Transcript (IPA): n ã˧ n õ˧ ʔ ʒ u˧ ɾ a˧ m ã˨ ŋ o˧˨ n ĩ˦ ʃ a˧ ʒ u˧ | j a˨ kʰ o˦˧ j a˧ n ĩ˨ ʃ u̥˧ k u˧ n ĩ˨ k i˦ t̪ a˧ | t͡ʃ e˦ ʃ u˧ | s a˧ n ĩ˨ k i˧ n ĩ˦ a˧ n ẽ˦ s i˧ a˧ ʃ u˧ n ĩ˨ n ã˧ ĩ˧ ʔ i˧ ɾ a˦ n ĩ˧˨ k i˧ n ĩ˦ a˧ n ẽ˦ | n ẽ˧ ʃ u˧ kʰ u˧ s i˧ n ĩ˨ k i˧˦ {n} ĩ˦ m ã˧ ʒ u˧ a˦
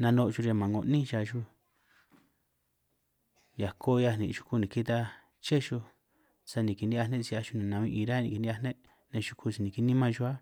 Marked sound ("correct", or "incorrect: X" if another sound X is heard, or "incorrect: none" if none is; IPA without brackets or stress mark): correct